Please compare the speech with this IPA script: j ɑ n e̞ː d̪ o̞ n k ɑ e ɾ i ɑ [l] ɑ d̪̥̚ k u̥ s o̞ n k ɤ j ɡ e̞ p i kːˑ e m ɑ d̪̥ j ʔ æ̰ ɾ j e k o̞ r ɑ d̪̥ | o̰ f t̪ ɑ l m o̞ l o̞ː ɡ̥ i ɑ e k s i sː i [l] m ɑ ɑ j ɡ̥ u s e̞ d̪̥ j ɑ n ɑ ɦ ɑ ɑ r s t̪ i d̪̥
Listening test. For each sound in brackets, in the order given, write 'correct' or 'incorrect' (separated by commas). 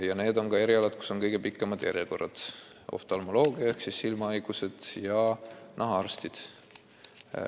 correct, correct